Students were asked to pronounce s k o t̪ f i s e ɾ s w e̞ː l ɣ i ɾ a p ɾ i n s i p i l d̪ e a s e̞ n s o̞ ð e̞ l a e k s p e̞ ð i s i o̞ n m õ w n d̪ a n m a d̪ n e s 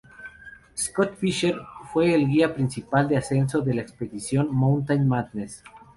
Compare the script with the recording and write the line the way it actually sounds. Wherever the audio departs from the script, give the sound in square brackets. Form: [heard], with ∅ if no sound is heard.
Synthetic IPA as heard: s k o t̪ f i [ʃ] e ɾ [f] w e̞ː l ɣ i [∅] a p ɾ i n s i p [a] l d̪ e a s e̞ n s o̞ ð e̞ l a e k s p e̞ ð i s [j] o̞ n m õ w n [t̪] a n m a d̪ n e s